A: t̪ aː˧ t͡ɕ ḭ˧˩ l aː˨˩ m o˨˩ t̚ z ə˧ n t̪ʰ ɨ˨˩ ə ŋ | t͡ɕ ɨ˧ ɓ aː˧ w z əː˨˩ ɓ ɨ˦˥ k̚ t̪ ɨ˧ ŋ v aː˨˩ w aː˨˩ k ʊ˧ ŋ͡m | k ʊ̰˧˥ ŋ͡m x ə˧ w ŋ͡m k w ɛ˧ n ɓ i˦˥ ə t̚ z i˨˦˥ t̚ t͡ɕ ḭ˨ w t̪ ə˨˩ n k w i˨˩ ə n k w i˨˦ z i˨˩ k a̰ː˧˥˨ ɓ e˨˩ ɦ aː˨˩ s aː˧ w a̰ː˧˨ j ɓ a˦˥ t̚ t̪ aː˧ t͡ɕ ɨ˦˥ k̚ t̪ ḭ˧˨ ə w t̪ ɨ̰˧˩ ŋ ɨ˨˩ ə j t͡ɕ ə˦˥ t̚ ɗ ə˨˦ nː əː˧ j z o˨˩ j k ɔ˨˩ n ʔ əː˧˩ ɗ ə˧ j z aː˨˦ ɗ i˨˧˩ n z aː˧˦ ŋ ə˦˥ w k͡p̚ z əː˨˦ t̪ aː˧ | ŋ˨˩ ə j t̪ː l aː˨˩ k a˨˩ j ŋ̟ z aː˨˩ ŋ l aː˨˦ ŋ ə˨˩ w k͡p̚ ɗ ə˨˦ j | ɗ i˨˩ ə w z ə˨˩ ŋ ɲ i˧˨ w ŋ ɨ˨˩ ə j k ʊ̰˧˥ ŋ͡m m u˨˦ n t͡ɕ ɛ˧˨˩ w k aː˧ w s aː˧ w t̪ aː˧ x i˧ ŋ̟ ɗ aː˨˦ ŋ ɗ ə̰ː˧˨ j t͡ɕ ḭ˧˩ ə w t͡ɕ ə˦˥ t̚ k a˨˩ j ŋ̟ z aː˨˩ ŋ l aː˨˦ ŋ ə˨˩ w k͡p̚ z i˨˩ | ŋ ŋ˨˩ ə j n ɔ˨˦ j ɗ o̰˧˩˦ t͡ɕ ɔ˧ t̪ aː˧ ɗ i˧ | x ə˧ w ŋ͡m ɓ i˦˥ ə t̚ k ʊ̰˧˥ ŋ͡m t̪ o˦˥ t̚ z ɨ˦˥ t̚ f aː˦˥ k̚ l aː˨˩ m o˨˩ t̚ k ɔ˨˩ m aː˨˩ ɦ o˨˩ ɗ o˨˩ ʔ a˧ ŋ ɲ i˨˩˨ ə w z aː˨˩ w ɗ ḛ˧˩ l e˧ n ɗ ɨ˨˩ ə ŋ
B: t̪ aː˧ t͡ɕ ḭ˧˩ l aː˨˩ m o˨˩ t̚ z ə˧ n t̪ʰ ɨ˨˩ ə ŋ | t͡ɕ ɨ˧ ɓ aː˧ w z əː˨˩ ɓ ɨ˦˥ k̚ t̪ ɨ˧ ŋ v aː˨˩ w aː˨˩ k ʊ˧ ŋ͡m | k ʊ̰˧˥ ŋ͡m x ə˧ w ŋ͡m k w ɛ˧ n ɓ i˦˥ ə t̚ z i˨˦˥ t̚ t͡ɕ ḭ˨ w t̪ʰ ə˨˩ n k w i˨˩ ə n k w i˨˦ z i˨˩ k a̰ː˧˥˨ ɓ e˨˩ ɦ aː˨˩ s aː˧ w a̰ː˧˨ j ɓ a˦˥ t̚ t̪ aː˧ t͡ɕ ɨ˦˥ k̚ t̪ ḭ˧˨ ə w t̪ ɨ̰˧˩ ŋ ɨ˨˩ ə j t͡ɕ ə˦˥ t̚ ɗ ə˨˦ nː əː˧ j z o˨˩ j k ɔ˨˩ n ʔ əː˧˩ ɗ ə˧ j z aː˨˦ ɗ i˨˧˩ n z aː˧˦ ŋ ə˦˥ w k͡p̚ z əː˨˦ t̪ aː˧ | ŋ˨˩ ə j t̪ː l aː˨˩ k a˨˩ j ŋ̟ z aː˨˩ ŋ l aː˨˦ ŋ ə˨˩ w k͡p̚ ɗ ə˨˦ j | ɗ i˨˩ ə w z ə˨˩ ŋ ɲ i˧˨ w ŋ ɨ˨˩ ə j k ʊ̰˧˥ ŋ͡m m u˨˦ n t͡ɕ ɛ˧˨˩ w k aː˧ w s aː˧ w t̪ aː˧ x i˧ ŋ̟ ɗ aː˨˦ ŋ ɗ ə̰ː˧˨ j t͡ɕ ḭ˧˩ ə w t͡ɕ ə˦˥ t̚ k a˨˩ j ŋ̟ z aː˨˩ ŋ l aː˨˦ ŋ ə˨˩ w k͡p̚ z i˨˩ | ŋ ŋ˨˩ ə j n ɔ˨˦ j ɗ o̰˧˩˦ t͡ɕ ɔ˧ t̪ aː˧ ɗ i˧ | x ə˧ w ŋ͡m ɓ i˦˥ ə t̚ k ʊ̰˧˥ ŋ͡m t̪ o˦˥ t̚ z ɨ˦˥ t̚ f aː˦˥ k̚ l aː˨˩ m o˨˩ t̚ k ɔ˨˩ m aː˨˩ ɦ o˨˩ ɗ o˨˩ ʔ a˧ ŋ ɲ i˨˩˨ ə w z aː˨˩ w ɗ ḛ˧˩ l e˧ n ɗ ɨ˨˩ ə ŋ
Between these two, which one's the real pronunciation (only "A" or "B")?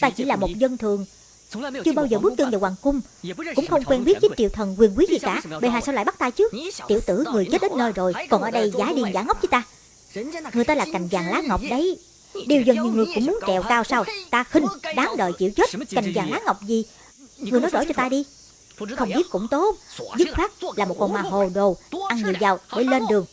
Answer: B